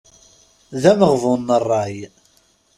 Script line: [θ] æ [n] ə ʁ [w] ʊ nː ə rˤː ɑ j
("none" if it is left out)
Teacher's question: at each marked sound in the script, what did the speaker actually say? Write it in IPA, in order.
ð, m, v

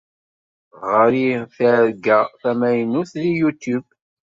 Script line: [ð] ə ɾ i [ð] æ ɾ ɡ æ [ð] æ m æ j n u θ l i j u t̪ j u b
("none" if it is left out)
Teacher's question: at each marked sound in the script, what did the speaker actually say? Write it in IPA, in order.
ʁ, θ, θ

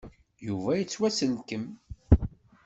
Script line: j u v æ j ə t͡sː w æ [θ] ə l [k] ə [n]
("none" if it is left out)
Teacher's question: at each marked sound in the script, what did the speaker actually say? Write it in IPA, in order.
s, k, m

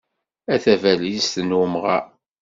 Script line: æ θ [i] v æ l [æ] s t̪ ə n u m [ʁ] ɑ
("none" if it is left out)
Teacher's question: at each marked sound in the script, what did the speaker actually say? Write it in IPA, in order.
æ, i, ʁ

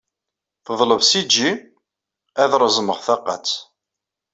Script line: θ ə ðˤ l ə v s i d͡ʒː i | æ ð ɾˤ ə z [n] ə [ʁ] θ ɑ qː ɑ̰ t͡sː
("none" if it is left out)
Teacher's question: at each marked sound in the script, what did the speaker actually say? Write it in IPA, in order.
m, ʁ

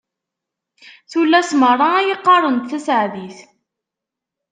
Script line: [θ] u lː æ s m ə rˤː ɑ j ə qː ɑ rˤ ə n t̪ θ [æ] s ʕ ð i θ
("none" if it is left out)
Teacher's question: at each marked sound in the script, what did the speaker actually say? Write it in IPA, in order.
θ, æ

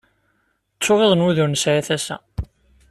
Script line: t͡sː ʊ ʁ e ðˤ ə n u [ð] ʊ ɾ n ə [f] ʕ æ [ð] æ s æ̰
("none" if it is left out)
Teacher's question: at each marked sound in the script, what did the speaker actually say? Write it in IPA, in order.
ð, s, θ

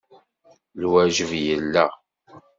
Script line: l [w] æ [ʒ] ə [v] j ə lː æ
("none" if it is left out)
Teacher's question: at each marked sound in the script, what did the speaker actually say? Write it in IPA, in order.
w, ʒ, v

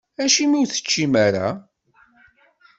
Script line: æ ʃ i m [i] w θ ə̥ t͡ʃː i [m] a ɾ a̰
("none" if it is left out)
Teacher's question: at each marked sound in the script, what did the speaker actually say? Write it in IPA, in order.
i, m

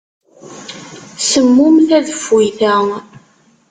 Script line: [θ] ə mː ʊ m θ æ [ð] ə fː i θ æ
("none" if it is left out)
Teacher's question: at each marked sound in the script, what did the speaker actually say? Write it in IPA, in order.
s, ð

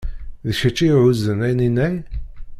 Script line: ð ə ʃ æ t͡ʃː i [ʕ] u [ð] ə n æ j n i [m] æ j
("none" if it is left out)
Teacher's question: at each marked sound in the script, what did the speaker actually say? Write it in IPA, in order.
ʕ, z, n

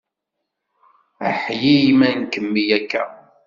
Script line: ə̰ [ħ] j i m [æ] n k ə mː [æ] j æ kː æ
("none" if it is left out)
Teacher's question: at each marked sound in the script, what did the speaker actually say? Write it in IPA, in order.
ħ, æ, i

